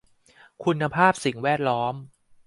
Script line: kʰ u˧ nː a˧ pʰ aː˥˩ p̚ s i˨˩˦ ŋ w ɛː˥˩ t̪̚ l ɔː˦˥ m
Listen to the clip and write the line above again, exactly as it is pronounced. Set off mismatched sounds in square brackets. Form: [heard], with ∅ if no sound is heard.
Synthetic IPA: kʰ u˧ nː a˧ pʰ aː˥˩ p̚ s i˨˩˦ ŋ w ɛː˥˩ t̪̚ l ɔː˦˥ m